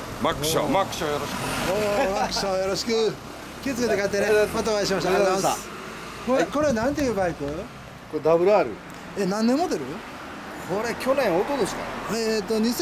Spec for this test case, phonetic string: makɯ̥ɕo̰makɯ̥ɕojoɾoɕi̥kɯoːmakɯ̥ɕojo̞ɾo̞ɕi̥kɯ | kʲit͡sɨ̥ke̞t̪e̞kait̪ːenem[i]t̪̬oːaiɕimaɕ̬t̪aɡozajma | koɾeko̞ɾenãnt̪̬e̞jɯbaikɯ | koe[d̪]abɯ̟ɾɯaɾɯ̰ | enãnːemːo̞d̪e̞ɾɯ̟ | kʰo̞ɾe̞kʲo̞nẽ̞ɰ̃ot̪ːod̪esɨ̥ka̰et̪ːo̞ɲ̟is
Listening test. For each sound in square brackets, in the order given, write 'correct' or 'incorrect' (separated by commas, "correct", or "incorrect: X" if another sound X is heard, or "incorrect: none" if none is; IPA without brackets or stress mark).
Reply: incorrect: a, correct